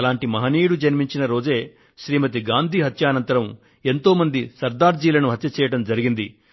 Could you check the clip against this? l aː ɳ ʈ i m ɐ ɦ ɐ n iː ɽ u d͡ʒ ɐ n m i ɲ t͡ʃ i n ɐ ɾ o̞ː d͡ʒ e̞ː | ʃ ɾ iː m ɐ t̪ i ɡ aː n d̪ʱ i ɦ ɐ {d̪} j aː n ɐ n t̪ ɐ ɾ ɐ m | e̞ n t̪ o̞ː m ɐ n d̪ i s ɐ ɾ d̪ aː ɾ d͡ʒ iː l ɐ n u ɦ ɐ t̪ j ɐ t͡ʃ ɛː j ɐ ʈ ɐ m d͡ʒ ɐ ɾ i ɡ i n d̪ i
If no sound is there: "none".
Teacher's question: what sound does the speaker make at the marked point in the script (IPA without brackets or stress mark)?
t̪